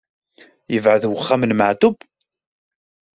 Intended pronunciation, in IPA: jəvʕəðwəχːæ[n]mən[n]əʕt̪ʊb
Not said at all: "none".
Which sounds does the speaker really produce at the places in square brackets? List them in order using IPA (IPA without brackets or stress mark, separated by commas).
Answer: none, m